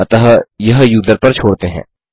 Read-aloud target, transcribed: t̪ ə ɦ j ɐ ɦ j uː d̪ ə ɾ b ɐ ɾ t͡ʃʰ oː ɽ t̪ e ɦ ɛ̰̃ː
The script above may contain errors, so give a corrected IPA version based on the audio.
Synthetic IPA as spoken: t̪ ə ɦ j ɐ ɦ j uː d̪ ə ɾ p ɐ ɾ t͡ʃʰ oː ɽ t̪ e ɦ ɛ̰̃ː